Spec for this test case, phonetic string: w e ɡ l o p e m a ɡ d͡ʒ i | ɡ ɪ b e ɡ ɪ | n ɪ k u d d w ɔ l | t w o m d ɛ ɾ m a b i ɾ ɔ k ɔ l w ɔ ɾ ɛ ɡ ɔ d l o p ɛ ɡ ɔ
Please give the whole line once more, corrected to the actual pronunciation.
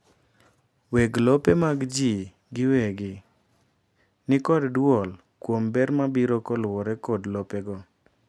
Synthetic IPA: w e ɡ l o p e m a ɡ d͡ʒ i | ɡ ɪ w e ɡ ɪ | n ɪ k ɔ d d w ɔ l | k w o m b ɛ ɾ m a b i ɾ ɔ k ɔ l w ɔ ɾ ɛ k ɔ d l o p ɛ ɡ ɔ